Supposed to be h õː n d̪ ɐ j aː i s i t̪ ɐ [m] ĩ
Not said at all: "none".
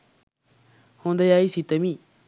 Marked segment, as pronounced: m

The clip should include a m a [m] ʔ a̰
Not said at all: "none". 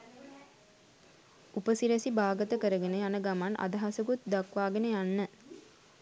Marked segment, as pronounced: n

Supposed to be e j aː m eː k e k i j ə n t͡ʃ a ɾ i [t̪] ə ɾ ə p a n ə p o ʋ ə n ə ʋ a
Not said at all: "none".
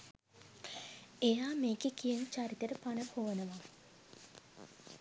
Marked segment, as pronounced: t̪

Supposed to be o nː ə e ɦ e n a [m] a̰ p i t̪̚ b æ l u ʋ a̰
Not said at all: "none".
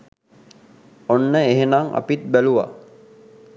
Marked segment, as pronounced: ŋ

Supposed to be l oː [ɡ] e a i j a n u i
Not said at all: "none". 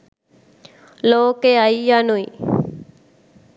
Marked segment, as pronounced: k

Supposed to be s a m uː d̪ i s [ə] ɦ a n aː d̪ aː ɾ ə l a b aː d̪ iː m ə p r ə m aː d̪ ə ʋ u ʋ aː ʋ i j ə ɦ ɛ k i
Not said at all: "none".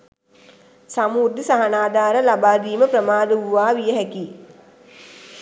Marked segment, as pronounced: a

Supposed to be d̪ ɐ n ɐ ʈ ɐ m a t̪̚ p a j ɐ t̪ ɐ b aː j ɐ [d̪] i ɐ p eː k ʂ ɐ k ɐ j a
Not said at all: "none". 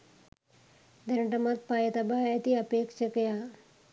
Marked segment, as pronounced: t̪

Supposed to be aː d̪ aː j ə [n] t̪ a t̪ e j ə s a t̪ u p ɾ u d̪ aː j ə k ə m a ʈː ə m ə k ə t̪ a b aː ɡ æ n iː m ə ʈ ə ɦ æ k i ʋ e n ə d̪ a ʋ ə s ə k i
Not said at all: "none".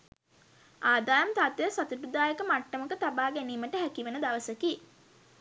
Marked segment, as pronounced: m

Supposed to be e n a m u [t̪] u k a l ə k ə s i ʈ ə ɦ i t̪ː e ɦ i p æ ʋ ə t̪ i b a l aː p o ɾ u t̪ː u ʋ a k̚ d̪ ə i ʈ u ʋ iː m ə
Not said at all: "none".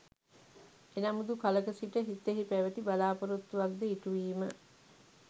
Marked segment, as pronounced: d̪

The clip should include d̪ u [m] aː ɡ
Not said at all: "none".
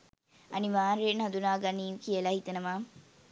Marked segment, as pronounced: n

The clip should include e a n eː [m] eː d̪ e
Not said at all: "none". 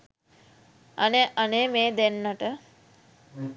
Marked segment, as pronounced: m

